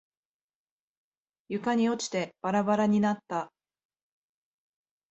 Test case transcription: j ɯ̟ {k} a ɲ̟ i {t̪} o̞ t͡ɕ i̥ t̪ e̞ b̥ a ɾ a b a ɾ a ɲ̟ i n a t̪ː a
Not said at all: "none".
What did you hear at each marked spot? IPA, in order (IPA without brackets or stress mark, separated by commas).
k, none